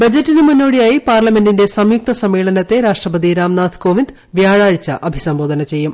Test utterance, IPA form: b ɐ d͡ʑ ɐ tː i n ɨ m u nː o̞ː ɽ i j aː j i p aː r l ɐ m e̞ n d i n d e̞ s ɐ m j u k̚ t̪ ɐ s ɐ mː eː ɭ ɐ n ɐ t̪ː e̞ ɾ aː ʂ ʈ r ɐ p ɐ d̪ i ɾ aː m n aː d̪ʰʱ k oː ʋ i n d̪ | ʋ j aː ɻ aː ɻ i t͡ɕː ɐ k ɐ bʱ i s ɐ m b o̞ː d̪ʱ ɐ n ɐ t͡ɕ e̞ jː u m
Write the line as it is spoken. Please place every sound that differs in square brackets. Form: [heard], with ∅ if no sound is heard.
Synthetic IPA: b ɐ d͡ʑ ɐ tː i n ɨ m u nː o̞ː ɽ i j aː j i p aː r l ɐ m e̞ n d i n d e̞ s ɐ m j u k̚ t̪ ɐ s ɐ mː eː ɭ ɐ n ɐ t̪ː e̞ ɾ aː ʂ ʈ r ɐ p ɐ d̪ i ɾ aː m n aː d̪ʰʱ k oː ʋ i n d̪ | ʋ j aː ɻ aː ɻ i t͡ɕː ɐ [ʔ] ɐ bʱ i s ɐ m b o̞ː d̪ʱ ɐ n ɐ t͡ɕ e̞ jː u m